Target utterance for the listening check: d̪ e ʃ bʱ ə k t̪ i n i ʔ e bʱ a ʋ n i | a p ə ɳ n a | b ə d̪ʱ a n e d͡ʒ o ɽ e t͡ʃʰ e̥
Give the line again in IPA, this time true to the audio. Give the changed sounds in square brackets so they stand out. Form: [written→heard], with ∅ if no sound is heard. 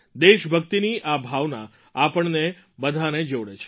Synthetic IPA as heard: d̪ e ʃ bʱ ə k t̪ i n i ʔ [e→a] bʱ a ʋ n [i→a] | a p ə ɳ n [a→e] | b ə d̪ʱ a n e d͡ʒ o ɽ e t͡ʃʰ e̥